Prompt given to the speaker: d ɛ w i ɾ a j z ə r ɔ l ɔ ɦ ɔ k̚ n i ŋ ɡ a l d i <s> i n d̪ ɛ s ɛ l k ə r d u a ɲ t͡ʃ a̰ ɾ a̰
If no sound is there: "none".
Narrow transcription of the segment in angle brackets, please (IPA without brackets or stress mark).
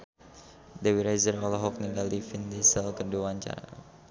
f